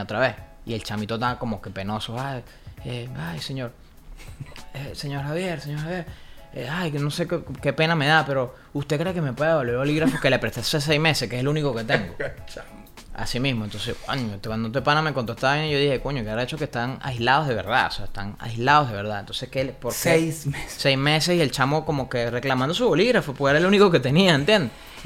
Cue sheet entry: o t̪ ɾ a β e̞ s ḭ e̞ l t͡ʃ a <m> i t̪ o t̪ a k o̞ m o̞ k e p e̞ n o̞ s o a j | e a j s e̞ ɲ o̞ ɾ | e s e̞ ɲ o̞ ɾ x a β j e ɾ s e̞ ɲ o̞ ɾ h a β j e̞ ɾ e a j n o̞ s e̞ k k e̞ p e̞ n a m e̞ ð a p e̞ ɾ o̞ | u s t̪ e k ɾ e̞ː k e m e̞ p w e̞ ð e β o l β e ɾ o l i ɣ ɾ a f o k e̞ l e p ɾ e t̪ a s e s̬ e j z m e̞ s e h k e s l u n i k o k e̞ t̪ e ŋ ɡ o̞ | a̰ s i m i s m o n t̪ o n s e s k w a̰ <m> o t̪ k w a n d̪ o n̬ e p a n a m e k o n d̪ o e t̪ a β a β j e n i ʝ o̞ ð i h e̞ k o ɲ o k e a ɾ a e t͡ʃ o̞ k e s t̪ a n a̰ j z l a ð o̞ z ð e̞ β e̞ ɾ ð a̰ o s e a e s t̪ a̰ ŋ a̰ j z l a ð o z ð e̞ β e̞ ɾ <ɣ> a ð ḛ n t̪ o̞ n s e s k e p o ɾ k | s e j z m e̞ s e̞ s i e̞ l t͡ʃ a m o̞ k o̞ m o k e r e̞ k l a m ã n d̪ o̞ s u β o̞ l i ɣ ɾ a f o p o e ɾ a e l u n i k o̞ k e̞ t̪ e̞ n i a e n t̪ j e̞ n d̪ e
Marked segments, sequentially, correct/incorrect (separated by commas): correct, incorrect, incorrect